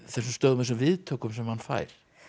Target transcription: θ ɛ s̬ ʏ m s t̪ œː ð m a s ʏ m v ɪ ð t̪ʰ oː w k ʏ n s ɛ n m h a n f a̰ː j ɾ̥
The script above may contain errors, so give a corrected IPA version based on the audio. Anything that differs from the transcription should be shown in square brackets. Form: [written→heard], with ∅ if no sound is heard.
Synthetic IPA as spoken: θ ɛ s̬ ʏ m s t̪ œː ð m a s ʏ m v ɪ ð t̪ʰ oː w k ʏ [n→m] s ɛ [n→∅] m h a n f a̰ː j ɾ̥

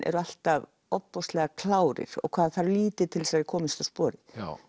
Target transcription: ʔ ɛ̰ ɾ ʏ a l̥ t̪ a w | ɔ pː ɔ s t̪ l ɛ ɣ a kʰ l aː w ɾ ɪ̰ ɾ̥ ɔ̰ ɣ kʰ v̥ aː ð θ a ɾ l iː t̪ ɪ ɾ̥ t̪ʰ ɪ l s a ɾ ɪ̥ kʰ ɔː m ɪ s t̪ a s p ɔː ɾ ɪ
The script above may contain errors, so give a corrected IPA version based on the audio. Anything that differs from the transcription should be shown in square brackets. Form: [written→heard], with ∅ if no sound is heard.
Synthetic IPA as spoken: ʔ ɛ̰ ɾ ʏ a l̥ t̪ a [w→v] | ɔ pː ɔ s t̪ l ɛ ɣ a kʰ l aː w ɾ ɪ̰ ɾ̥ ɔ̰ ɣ kʰ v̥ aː ð θ a ɾ l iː t̪ ɪ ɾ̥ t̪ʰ ɪ l s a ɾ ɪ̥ kʰ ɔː m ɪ s t̪ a s p ɔː ɾ ɪ

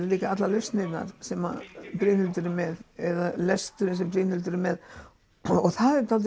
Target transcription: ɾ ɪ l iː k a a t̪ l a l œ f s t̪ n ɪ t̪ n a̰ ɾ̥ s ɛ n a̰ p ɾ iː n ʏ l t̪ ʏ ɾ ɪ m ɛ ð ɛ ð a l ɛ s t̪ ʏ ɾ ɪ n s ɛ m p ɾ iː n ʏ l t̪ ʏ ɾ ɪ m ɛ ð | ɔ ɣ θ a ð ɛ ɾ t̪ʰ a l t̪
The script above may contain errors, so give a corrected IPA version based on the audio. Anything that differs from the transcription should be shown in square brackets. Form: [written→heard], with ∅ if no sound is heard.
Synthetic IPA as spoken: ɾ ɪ l iː k a a t̪ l a l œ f s t̪ n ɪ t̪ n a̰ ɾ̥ s ɛ [n→m] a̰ p ɾ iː n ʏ l t̪ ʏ ɾ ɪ m ɛ ð ɛ ð a l ɛ s t̪ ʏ ɾ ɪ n s ɛ m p ɾ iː n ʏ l t̪ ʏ ɾ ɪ m ɛ ð | ɔ ɣ θ a ð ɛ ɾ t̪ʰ a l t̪

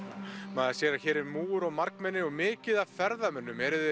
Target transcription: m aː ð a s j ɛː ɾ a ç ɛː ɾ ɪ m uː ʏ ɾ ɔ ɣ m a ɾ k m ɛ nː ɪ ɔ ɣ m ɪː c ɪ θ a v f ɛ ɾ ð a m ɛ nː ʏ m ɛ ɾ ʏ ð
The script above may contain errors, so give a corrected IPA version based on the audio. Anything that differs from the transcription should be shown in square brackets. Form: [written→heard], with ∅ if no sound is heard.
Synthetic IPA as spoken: m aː ð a s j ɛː ɾ a ç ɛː ɾ ɪ m uː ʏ ɾ ɔ ɣ m a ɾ k m ɛ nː ɪ ɔ ɣ m ɪː c ɪ [θ→ð] a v f ɛ ɾ ð a m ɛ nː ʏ m ɛ ɾ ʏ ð

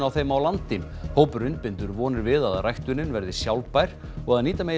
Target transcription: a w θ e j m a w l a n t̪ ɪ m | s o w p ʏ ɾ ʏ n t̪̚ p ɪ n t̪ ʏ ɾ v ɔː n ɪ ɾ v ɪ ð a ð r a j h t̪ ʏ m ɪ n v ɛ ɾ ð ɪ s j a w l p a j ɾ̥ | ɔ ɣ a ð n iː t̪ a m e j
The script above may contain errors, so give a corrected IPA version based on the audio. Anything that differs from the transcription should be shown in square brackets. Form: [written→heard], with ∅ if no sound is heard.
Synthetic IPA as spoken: a w θ e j m a w l a n t̪ ɪ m | [s→h] o w p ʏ ɾ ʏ n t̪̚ p ɪ n t̪ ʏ ɾ v ɔː n ɪ ɾ v ɪ ð a ð r a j h t̪ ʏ [m→n] ɪ n v ɛ ɾ ð ɪ s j a w l p a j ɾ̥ | ɔ ɣ a ð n iː t̪ a m e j

